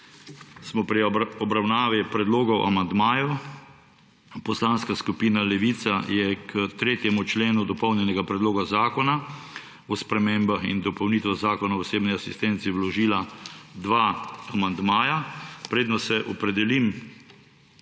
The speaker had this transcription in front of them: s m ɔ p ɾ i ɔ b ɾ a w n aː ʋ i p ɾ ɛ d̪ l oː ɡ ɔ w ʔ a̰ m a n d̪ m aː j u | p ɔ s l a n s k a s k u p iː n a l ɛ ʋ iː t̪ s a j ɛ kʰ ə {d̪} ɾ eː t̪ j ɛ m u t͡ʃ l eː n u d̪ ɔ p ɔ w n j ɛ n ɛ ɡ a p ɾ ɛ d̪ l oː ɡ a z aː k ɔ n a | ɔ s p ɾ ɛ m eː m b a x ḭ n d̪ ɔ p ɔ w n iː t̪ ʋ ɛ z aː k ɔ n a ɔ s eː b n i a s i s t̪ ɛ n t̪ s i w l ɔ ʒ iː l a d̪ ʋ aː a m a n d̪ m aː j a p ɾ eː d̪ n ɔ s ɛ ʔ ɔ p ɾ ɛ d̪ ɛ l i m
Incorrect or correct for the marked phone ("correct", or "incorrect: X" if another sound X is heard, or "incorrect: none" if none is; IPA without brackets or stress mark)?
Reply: incorrect: t̪